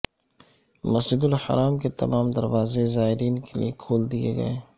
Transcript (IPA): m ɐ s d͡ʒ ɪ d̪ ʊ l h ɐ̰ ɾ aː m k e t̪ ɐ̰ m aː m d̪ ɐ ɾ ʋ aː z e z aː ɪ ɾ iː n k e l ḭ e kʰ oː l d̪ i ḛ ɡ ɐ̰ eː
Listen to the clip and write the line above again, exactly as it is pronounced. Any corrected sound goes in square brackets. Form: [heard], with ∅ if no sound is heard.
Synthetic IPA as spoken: m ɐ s d͡ʒ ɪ d̪ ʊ l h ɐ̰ ɾ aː m k e t̪ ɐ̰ m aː m d̪ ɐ ɾ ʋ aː z e z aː ɪ ɾ iː n k e l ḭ e kʰ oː l d̪ i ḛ ɡ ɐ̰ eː